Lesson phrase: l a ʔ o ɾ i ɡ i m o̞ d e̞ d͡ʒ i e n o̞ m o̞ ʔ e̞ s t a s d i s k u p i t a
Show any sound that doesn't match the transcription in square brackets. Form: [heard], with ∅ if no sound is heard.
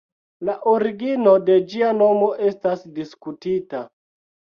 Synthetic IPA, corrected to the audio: l a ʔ o ɾ i ɡ i [n] o̞ d e̞ d͡ʒ i [a] n o̞ m o̞ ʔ e̞ s t a s d i s k u [t] i t a